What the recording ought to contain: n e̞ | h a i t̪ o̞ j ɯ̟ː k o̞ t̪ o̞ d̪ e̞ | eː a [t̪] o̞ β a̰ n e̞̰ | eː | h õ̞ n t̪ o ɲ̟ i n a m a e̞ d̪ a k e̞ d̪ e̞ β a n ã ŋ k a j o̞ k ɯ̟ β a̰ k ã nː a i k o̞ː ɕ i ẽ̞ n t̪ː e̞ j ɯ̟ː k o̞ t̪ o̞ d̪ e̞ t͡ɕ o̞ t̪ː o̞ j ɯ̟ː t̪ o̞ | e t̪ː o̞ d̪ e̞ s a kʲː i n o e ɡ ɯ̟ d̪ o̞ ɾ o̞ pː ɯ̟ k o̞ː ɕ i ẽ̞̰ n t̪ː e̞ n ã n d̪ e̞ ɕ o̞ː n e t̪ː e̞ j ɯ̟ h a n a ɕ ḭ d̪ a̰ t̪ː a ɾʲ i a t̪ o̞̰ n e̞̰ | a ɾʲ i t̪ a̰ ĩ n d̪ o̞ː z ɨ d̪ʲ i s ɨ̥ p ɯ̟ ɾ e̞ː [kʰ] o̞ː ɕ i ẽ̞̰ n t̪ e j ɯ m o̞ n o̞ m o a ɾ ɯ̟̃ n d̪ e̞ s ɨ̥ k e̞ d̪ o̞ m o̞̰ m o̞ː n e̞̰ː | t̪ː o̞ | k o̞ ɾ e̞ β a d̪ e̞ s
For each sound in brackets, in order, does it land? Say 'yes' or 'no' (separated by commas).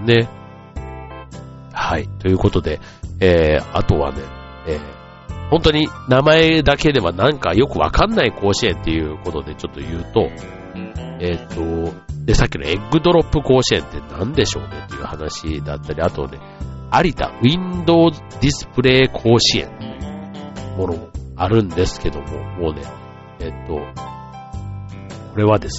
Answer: yes, yes